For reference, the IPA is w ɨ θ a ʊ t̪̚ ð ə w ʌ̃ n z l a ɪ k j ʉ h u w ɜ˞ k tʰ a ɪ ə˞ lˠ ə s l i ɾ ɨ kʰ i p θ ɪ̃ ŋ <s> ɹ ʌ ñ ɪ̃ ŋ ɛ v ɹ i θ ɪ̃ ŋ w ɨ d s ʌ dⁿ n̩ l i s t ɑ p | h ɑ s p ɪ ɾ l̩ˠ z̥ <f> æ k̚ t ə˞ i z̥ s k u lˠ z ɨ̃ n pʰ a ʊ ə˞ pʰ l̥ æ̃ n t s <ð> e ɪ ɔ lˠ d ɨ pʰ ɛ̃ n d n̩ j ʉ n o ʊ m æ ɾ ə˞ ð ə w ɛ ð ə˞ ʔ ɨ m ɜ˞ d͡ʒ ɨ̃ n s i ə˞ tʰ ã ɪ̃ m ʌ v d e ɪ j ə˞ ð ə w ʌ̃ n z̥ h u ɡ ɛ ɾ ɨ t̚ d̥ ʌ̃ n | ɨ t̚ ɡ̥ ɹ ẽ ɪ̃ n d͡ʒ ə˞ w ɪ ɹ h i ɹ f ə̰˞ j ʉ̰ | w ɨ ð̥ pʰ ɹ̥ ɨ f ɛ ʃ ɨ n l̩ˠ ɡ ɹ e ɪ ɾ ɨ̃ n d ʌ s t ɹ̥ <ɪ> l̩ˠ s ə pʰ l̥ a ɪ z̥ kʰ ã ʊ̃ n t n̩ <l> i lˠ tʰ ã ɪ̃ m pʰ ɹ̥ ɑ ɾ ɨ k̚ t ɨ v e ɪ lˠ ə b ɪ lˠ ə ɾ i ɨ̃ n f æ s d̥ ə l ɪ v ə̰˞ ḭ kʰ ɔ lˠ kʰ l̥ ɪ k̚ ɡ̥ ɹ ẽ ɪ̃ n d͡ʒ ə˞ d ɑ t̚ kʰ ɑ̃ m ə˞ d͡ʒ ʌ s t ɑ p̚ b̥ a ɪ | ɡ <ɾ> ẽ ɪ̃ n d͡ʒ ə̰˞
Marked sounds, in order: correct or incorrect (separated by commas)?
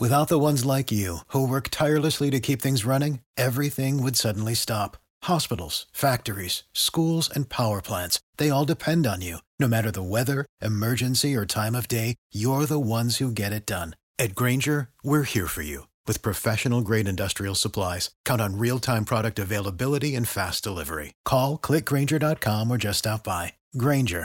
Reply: incorrect, correct, correct, incorrect, incorrect, incorrect